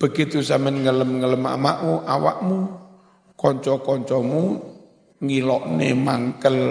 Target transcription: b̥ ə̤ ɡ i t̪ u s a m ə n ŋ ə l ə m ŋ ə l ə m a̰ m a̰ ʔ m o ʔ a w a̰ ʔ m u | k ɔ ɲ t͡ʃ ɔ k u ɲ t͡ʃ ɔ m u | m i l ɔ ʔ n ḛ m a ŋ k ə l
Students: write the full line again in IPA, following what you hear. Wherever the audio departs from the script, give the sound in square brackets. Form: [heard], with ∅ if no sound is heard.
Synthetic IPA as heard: b̥ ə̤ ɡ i t̪ u s a m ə n ŋ ə l ə m ŋ ə l ə m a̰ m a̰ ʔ m [u] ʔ a w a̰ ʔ m u | k ɔ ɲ t͡ʃ ɔ k [ɔ] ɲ t͡ʃ ɔ m u | [ŋ] i l ɔ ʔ n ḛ m a ŋ k ə l